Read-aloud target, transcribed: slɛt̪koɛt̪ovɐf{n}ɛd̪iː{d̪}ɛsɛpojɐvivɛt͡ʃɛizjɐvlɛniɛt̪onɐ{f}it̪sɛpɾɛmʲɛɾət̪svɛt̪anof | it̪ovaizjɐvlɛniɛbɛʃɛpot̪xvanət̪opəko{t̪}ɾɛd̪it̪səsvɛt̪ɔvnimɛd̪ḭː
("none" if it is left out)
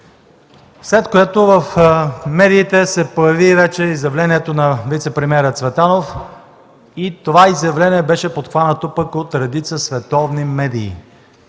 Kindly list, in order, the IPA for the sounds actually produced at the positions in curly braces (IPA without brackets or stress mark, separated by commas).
m, t̪, v, t̪